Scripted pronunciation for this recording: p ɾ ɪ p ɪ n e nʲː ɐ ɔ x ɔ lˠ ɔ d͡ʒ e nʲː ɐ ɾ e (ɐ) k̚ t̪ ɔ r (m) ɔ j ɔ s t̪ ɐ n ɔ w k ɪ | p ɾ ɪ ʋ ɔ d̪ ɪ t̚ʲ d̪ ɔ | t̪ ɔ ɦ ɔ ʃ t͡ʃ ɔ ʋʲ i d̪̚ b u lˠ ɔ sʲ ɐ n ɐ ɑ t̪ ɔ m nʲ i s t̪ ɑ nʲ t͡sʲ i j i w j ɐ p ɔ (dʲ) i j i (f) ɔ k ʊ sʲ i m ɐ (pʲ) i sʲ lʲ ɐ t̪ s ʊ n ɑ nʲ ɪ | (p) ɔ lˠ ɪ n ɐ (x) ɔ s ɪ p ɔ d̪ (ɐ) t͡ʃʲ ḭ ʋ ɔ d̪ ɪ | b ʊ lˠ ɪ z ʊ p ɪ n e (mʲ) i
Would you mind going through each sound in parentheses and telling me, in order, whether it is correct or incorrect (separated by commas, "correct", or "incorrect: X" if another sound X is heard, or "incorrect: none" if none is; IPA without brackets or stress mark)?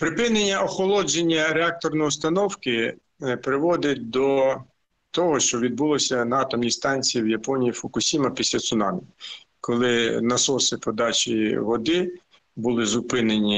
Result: incorrect: ɑ, incorrect: n, incorrect: nʲ, correct, correct, incorrect: k, incorrect: s, incorrect: ɑ, incorrect: nʲ